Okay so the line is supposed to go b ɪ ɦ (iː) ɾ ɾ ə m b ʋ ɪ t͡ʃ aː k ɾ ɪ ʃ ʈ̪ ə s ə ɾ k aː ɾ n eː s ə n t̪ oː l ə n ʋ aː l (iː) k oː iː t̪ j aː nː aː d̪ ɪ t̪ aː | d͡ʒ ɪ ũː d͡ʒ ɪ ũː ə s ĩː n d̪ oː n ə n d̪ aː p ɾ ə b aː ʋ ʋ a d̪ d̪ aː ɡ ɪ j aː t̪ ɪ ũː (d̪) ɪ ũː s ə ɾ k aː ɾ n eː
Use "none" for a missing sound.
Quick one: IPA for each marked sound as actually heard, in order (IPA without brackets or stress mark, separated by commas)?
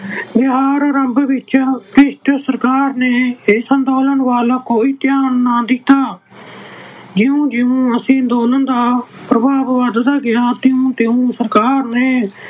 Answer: aː, aː, t̪